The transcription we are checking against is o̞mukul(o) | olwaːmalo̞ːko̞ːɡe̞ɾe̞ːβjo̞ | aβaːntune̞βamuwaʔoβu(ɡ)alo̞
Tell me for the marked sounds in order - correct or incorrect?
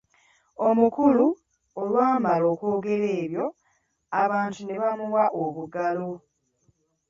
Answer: incorrect: u, correct

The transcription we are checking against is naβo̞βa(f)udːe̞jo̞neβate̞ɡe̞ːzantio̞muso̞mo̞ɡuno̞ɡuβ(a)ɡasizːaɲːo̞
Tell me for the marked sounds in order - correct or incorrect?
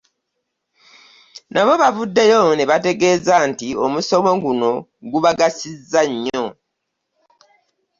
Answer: incorrect: v, correct

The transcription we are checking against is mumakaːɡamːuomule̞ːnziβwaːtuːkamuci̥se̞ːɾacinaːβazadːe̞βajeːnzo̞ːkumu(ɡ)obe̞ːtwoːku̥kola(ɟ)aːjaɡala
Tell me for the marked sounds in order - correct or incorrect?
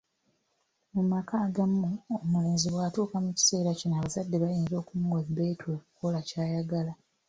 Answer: correct, incorrect: c

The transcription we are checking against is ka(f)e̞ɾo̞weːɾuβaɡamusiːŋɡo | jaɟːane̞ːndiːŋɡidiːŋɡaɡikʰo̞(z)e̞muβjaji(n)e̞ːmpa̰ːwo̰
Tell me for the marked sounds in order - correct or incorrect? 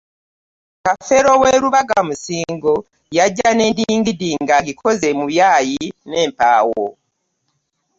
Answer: correct, correct, correct

